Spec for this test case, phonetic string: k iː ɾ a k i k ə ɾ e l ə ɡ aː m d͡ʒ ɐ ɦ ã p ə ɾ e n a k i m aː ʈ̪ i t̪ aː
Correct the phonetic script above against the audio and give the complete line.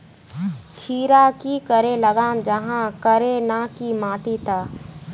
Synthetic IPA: kʰ iː ɾ a k i k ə ɾ e l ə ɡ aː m d͡ʒ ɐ ɦ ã k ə ɾ e n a k i m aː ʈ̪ i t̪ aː